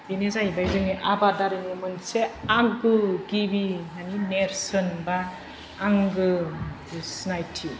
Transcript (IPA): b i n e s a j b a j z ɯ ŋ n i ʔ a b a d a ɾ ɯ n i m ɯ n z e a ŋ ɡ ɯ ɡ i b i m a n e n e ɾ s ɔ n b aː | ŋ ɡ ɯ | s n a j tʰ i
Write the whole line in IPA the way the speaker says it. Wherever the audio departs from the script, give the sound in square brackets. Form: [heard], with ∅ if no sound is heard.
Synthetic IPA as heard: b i n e [z] a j b a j z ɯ ŋ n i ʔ a b a d a ɾ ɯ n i m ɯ n [s] e a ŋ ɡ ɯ ɡ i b i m a n [i] n e ɾ s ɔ n b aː | ŋ ɡ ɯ | s n a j tʰ i